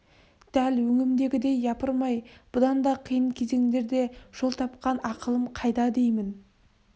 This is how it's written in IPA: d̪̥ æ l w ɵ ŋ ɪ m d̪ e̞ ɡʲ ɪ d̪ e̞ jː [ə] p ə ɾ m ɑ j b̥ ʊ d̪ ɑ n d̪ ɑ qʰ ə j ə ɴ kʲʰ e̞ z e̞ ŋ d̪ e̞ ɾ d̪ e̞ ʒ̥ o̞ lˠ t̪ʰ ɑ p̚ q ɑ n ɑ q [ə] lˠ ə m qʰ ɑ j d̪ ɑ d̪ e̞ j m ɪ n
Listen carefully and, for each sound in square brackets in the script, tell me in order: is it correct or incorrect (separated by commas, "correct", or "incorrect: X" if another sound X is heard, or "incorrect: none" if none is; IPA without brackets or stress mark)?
incorrect: ɑ, correct